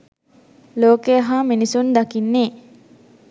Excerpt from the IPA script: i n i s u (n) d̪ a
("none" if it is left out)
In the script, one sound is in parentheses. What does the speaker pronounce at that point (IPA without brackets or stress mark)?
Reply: n